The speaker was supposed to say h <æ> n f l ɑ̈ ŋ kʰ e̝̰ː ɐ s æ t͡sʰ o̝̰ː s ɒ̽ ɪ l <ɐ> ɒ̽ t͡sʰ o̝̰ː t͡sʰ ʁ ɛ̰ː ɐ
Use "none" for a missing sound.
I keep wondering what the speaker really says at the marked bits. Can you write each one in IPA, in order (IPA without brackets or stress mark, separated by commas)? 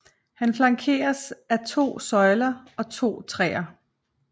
æ, ɐ